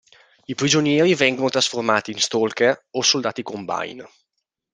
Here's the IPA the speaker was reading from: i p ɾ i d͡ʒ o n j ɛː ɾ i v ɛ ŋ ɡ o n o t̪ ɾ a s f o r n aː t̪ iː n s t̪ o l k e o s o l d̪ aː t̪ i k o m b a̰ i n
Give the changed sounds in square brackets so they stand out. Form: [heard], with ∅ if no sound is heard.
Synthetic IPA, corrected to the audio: i p ɾ i d͡ʒ o n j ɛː ɾ i v ɛ ŋ ɡ o n o t̪ ɾ a s f o r [m] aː t̪ iː n s t̪ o l k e o s o l d̪ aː t̪ i k o m b a̰ [j] n